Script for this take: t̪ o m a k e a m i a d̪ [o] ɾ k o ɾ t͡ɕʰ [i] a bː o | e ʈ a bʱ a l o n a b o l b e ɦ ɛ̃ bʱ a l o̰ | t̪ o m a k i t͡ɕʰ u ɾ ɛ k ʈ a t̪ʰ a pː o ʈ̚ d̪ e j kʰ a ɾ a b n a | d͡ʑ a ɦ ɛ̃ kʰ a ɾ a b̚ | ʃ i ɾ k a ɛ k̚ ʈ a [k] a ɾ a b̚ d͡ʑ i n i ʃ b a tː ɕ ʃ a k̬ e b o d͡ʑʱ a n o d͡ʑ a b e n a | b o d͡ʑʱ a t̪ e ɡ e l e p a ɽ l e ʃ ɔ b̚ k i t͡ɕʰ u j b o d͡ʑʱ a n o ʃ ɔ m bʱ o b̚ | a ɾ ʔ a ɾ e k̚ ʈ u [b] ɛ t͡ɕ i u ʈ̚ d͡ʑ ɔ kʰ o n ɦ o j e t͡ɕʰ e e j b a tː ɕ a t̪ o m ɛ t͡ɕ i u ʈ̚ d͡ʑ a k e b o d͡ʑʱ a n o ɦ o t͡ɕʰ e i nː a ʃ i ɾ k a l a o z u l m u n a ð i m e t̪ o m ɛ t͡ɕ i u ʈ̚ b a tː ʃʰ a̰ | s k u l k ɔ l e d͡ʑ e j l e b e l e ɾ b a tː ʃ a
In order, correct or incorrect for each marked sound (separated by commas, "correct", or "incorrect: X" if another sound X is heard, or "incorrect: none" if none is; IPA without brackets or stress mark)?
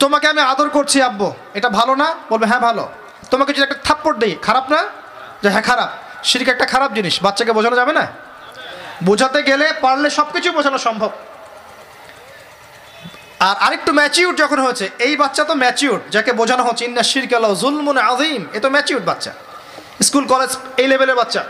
correct, correct, incorrect: kʰ, incorrect: m